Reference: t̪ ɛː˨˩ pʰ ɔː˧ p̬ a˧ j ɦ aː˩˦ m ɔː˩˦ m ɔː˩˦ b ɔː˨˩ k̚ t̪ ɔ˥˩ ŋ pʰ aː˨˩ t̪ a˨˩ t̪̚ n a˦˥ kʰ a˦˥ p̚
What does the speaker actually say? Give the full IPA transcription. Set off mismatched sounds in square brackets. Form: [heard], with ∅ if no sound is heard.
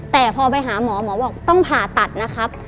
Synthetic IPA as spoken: t̪ ɛː˨˩ pʰ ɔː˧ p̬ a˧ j ɦ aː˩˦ m ɔː˩˦ m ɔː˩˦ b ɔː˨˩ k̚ t̪ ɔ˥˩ ŋ pʰ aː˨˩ t̪ a˨˩ t̪̚ n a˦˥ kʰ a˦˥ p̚

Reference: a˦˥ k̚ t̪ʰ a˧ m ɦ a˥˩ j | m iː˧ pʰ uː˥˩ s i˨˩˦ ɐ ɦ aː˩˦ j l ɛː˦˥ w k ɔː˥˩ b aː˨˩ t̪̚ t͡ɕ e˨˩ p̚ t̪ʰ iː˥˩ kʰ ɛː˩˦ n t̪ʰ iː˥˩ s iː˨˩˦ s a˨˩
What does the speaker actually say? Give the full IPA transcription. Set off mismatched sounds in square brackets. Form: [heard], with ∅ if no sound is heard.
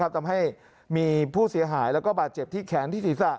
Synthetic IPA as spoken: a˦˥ [p̚] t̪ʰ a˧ m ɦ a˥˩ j | m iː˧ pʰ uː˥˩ s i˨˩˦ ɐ ɦ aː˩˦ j l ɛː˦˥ w k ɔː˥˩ b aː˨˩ t̪̚ t͡ɕ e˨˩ p̚ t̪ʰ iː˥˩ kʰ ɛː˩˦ n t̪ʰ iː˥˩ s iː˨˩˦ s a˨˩

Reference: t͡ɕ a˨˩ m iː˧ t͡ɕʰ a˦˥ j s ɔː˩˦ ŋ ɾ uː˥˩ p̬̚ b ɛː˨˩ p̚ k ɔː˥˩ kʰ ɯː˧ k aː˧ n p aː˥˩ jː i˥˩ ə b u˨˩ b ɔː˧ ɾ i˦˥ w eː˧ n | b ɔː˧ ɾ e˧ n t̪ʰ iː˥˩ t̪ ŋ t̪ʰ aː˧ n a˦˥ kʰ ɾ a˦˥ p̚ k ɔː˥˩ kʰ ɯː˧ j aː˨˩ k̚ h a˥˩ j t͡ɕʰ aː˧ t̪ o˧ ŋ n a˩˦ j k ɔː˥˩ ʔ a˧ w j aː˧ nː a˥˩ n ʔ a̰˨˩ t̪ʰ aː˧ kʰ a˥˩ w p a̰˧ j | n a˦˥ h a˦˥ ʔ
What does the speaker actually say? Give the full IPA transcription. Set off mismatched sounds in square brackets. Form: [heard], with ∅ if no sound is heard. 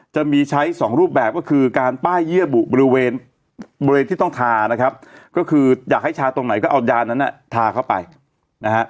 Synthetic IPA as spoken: t͡ɕ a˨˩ m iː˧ t͡ɕʰ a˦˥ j s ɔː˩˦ ŋ ɾ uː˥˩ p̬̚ b ɛː˨˩ p̚ k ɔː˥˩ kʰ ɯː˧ k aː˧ n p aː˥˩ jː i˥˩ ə b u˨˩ b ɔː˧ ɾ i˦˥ w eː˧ n | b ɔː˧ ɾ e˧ n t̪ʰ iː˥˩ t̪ ŋ t̪ʰ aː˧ n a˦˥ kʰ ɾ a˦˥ p̚ k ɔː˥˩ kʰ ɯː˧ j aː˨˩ k̚ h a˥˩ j t͡ɕʰ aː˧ t̪ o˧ ŋ n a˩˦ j k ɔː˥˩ ʔ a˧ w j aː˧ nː [a˦˥] n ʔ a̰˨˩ t̪ʰ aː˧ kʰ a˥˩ w p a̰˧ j | n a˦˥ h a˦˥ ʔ

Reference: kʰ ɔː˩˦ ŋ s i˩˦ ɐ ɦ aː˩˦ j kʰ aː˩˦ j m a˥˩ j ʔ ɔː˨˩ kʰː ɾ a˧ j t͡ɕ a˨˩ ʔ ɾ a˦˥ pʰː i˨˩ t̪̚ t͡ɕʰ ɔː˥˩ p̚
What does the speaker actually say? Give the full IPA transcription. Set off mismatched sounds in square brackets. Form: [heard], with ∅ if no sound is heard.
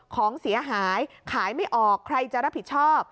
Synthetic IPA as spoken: kʰ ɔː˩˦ ŋ s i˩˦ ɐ ɦ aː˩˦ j kʰ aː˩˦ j m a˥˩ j ʔ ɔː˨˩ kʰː ɾ a˧ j t͡ɕ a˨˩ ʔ ɾ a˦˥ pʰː i˨˩ t̪̚ t͡ɕʰ ɔː˥˩ p̚

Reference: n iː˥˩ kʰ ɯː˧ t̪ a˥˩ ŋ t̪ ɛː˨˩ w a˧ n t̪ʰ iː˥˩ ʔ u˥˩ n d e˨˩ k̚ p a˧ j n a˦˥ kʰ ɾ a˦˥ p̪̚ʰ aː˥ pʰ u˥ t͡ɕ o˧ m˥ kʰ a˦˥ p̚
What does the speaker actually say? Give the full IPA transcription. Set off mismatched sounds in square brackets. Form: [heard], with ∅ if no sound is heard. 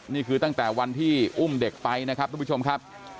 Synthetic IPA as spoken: n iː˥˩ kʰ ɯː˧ t̪ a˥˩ ŋ t̪ ɛː˨˩ w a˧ n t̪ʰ iː˥˩ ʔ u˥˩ [m] d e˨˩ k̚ p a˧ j n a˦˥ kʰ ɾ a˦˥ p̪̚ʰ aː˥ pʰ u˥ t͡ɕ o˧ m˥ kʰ a˦˥ p̚

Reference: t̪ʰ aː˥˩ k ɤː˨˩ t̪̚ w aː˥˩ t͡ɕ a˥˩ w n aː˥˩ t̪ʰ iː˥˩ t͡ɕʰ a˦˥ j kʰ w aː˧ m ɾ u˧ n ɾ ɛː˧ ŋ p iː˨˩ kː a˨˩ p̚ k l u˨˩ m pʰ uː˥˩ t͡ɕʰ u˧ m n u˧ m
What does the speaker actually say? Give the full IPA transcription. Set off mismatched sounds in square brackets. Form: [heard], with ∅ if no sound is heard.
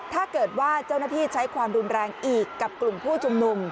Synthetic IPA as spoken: t̪ʰ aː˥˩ k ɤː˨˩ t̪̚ w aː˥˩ t͡ɕ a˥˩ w n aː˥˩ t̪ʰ iː˥˩ t͡ɕʰ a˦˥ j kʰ w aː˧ m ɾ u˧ n ɾ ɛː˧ ŋ [ʔ] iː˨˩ kː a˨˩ p̚ k l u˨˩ m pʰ uː˥˩ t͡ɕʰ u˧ m n u˧ m

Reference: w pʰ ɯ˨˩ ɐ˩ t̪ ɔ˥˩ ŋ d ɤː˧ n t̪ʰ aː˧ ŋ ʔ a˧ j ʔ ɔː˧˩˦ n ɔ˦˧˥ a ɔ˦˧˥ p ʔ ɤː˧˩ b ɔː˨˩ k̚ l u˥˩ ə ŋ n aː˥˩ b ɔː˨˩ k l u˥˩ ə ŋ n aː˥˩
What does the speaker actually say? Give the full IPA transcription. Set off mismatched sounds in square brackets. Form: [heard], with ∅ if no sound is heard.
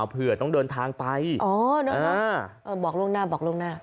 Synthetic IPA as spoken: w pʰ ɯ˨˩ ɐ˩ t̪ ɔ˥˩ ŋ d ɤː˧ n t̪ʰ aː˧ ŋ [p] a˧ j ʔ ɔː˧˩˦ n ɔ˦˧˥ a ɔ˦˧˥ [∅] ʔ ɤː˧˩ b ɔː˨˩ k̚ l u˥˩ ə ŋ n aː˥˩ b ɔː˨˩ k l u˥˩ ə ŋ n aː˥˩

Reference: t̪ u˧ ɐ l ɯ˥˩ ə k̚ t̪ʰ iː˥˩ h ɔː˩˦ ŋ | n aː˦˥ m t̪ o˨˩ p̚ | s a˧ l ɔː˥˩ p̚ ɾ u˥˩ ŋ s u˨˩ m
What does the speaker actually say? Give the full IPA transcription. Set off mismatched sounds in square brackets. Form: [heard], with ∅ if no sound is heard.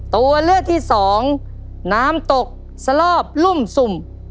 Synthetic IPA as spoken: t̪ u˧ ɐ l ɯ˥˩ ə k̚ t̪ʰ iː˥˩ [s] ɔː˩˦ ŋ | n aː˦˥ m t̪ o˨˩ [k̚] | s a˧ l ɔː˥˩ p̚ [l] u˥˩ [m] s u˨˩ m

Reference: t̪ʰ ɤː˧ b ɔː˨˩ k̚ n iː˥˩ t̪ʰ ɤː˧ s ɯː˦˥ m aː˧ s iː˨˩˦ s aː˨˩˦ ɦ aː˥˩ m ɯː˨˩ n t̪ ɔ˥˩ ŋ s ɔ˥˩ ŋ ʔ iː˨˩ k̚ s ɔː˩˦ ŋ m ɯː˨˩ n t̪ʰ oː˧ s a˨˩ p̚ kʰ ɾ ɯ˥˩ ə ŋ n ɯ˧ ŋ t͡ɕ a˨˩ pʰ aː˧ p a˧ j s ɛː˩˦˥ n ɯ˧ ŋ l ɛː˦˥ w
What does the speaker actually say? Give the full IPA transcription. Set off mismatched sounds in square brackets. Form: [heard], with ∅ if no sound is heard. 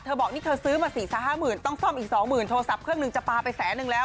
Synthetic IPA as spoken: t̪ʰ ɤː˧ b ɔː˨˩ k̚ n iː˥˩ t̪ʰ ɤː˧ s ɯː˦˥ m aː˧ s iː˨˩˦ s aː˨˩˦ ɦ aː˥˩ m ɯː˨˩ n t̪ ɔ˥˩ ŋ s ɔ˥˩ [m] ʔ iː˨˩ k̚ s ɔː˩˦ ŋ m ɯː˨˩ n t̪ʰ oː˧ s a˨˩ p̚ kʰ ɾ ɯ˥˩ ə ŋ n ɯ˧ ŋ t͡ɕ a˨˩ [p] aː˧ p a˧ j s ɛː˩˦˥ n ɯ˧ ŋ l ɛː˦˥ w

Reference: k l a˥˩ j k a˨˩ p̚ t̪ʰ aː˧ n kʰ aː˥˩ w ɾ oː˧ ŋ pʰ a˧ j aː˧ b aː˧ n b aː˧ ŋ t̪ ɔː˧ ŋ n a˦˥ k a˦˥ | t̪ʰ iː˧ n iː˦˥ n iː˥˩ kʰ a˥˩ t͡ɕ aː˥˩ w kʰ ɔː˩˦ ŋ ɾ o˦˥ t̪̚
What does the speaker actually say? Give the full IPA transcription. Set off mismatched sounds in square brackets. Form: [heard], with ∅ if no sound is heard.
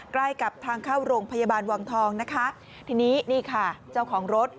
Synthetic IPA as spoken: k l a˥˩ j k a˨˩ p̚ t̪ʰ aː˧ [ŋ] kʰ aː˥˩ w ɾ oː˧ ŋ pʰ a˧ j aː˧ b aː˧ n [w] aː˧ ŋ [t̪ʰ] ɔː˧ ŋ n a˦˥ [kʰ] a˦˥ | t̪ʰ iː˧ n iː˦˥ n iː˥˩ kʰ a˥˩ t͡ɕ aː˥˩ w kʰ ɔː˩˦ ŋ ɾ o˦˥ t̪̚

